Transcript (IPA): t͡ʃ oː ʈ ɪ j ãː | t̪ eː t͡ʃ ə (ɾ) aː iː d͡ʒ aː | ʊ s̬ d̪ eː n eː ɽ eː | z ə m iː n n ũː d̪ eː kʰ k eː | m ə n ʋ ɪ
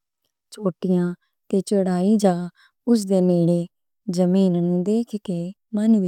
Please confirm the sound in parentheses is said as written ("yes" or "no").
no